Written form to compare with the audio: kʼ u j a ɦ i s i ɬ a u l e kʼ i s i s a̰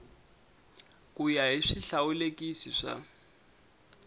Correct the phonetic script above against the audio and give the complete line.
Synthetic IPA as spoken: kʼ u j a ɦ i ʂ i ɬ a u l e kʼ i s i ʂ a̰